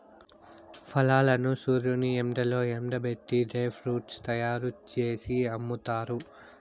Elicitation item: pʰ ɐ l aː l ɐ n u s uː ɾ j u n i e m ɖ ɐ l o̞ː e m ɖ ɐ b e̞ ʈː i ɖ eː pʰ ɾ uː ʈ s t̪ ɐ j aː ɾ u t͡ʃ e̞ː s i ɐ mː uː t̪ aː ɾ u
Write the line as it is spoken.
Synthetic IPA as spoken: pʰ ɐ l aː l ɐ n u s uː ɾ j u n i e m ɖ ɐ l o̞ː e m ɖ ɐ b e̞ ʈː i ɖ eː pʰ ɾ uː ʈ s t̪ ɐ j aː ɾ u t͡ʃ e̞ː s i ɐ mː u t̪ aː ɾ u